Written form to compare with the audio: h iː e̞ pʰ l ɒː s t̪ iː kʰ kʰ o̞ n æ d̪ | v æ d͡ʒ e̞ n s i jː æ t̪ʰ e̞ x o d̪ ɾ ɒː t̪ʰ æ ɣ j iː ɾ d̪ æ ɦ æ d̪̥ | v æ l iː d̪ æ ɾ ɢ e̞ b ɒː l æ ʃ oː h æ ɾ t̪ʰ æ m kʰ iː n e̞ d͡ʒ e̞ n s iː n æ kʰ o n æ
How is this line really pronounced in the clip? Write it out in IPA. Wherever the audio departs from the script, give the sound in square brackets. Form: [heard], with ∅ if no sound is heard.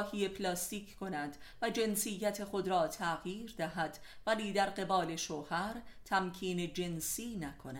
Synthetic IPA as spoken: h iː e̞ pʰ l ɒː s t̪ iː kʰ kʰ o̞ n æ d̪ | v æ d͡ʒ e̞ n s i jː æ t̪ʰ e̞ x o d̪ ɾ ɒː t̪ʰ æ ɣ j iː ɾ d̪ æ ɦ æ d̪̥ | v æ l iː d̪ æ ɾ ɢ e̞ b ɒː l [e] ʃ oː h æ ɾ t̪ʰ æ m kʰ iː n e̞ d͡ʒ e̞ n s iː n æ kʰ o n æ